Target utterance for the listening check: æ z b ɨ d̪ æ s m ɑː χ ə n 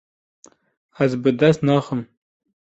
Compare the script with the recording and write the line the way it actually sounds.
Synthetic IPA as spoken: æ z b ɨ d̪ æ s n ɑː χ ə m